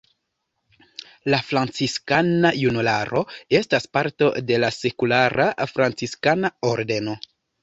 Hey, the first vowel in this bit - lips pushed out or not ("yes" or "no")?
no